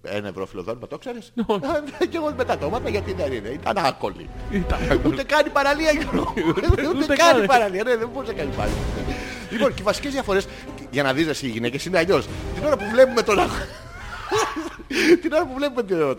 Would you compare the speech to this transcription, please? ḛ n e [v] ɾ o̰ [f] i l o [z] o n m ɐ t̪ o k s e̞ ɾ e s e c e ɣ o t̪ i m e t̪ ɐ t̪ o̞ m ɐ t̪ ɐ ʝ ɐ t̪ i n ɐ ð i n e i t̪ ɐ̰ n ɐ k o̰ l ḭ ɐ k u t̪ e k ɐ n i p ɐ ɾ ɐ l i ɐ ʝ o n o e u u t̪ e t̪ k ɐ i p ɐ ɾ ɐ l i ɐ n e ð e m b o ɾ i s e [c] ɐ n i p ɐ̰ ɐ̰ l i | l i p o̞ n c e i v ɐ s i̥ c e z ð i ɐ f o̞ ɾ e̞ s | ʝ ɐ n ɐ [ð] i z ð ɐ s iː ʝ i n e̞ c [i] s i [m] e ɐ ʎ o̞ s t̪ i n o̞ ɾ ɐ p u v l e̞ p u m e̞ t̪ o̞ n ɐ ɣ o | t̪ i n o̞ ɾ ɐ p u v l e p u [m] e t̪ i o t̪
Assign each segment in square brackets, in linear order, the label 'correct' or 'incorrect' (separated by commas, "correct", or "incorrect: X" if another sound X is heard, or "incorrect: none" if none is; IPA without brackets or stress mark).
correct, correct, incorrect: ð, incorrect: k, correct, incorrect: e, incorrect: n, correct